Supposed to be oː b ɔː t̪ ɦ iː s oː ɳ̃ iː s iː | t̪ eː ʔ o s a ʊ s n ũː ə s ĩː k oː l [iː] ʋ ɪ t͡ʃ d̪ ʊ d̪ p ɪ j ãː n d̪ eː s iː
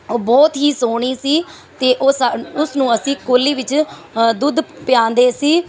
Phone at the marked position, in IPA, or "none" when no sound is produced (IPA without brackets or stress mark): iː